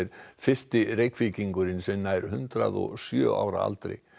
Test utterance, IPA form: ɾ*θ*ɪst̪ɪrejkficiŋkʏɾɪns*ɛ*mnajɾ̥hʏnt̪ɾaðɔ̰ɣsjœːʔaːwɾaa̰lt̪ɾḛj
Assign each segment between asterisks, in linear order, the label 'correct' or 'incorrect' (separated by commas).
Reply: incorrect, correct